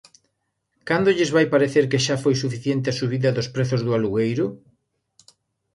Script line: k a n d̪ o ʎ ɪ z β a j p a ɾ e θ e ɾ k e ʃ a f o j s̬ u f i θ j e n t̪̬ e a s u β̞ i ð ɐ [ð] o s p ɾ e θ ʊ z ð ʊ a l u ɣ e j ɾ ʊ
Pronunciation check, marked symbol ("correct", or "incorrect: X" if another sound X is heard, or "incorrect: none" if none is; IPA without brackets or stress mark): correct